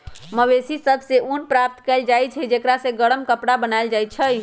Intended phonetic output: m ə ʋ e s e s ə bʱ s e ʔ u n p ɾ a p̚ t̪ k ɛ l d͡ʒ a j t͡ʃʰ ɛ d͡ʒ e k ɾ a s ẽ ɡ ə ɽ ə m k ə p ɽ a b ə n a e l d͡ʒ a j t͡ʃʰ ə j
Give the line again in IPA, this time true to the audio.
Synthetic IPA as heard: m ə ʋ e s i s ə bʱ s e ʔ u n p ɾ a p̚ t̪ k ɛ l d͡ʒ a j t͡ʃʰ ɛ d͡ʒ e k ɾ a s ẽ ɡ ə ɽ ə m k ə p ɽ a b ə n a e l d͡ʒ a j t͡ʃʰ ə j